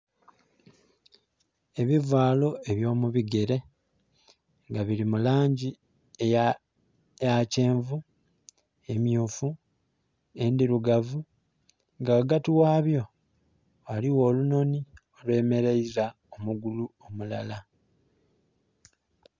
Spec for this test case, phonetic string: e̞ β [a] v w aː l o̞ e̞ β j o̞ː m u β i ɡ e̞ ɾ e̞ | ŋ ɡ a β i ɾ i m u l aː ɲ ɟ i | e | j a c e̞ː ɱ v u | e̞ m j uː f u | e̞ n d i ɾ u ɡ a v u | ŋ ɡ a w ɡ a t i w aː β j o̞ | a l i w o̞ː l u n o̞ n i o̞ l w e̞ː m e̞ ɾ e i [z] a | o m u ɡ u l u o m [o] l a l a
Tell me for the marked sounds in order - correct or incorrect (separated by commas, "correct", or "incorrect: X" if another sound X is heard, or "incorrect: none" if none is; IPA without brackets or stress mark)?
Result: incorrect: i, correct, incorrect: u